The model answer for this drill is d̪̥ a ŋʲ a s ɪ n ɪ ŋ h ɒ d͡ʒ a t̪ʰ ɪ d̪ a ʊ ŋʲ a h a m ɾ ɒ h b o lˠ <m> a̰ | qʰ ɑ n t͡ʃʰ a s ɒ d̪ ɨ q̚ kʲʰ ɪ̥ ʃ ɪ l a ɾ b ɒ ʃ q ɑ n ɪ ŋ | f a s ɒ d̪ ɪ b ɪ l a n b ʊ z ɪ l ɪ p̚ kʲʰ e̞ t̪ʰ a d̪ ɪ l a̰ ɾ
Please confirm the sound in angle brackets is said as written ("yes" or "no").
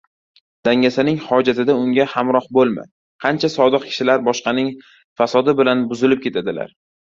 yes